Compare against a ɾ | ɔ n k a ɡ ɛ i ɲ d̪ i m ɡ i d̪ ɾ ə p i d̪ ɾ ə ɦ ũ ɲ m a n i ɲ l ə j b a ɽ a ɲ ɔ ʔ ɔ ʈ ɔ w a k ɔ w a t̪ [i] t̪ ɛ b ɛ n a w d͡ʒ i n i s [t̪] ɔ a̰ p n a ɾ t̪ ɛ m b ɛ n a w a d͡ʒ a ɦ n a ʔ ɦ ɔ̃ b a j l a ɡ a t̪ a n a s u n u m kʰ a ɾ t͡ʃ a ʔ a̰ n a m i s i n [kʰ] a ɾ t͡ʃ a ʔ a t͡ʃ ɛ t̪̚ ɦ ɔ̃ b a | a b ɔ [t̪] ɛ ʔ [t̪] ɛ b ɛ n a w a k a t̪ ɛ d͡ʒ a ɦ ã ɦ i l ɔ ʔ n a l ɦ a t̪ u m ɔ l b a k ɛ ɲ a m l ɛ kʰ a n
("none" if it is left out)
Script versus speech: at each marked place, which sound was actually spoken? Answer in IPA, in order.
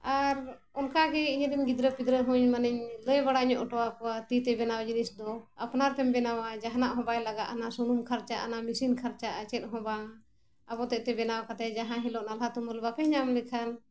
i, d̪, kʰ, t̪, t̪

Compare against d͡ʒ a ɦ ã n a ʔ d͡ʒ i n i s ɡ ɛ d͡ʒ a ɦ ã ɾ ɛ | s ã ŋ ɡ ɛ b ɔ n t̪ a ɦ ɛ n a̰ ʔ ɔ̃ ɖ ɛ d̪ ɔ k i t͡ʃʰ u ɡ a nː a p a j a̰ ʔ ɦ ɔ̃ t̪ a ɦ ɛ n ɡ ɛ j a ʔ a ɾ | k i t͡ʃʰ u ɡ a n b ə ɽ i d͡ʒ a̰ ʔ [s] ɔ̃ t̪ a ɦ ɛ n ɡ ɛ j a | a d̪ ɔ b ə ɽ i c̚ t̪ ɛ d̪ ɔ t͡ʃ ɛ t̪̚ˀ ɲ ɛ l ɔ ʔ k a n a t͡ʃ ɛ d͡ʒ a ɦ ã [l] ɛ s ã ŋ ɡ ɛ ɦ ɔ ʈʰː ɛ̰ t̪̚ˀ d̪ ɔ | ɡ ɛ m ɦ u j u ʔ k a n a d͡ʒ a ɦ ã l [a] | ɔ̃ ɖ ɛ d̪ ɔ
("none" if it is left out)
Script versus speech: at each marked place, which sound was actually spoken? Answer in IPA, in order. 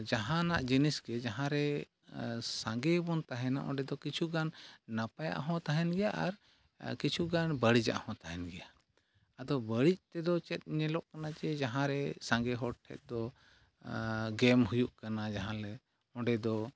h, ɾ, ɛ

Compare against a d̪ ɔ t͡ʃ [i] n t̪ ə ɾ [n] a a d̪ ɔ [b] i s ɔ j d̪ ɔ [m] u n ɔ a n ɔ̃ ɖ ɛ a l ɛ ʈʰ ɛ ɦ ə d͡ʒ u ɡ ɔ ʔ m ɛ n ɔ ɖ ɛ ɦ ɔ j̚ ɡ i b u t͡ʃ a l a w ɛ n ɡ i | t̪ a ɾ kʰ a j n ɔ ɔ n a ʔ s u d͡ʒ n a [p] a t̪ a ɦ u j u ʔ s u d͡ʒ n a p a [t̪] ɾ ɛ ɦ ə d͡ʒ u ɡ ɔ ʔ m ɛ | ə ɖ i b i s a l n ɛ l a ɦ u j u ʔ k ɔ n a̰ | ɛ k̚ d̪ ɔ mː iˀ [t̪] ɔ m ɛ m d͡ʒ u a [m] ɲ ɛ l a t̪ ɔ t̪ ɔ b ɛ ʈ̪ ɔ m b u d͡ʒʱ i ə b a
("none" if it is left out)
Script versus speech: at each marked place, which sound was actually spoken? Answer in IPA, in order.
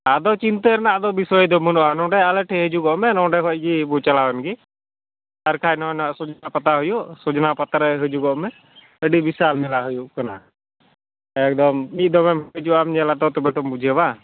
i, n, b, m, p, t̪, d̪, m

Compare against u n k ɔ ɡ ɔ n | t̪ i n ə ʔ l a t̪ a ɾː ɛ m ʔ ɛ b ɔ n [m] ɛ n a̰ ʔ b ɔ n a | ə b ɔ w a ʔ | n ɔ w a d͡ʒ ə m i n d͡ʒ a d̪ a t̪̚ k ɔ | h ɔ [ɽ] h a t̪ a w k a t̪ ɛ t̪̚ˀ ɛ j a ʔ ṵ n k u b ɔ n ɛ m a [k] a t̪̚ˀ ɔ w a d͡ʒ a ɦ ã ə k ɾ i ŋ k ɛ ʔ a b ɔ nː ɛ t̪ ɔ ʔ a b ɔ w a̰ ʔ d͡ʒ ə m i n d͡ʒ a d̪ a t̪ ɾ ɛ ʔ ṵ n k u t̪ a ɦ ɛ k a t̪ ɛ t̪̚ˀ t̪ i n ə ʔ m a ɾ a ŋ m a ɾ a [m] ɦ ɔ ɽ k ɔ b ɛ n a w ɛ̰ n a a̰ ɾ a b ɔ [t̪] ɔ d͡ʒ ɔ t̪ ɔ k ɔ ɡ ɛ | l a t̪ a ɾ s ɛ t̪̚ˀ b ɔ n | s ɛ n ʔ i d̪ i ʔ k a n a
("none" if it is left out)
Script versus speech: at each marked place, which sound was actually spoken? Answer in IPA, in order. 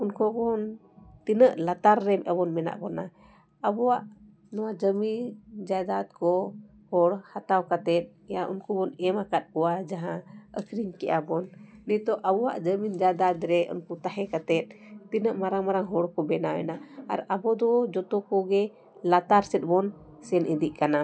m, ɽ, k, ŋ, d̪

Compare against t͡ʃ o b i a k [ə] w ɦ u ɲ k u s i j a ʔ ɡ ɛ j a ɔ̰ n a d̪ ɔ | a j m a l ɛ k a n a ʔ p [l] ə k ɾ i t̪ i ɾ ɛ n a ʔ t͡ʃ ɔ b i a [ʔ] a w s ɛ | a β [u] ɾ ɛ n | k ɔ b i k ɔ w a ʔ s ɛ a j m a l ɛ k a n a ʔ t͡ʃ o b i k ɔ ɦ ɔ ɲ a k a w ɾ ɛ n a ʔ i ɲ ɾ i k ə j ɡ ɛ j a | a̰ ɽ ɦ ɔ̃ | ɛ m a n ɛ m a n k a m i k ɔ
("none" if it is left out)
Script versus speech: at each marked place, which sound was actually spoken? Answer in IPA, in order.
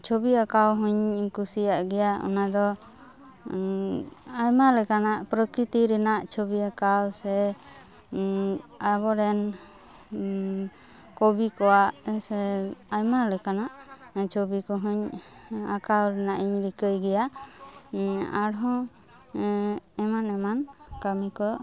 a, ɾ, k, ɔ

